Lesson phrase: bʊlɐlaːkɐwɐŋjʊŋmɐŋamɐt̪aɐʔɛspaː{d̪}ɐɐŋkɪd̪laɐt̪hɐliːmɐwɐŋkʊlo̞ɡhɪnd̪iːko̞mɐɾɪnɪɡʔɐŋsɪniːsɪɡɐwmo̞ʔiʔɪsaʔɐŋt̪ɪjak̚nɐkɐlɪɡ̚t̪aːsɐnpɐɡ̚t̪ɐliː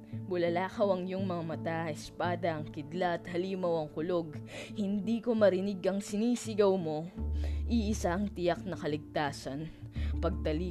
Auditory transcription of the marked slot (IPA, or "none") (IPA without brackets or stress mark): d̪